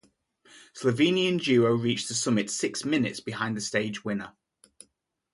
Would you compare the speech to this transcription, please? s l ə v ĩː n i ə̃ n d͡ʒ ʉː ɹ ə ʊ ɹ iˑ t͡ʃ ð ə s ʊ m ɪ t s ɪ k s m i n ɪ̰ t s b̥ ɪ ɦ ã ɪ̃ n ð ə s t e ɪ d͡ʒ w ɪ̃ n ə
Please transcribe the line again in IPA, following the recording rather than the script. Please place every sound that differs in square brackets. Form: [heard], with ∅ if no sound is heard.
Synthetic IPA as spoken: s l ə v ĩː n i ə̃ n d͡ʒ ʉː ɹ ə ʊ ɹ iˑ t͡ʃ ð ə s ʊ m ɪ t s ɪ k s m [ɪ] n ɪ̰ t s b̥ ɪ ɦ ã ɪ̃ n ð ə s t e ɪ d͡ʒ w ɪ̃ n ə